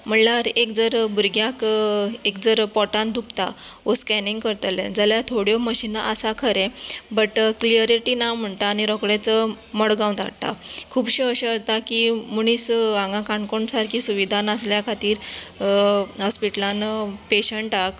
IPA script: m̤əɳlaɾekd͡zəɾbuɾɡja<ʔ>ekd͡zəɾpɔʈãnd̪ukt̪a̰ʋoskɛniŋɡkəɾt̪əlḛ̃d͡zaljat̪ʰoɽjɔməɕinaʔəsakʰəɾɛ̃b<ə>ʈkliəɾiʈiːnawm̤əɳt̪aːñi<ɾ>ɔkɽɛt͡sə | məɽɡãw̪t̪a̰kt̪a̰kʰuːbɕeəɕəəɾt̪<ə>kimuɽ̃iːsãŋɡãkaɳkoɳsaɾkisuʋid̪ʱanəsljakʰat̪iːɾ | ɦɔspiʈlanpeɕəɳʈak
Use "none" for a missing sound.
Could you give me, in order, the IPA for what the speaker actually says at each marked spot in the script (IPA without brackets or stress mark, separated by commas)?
k, ə, ɾ, a